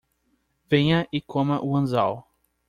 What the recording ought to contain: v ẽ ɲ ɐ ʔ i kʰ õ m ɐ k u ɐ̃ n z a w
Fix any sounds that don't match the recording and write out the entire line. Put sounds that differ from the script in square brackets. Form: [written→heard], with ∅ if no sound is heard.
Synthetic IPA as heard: v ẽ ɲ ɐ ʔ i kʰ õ m ɐ [k→ʔ] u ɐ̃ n z a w